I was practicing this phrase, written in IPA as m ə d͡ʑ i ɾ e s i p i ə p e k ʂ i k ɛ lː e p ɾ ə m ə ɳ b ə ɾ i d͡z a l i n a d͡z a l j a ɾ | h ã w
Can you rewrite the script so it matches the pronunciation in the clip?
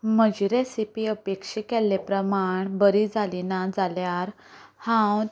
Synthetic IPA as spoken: m ə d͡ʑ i ɾ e s i p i ə p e k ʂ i k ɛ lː e p ɾ ə m a ɳ b ə ɾ i d͡z a l i n a d͡z a l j a ɾ | h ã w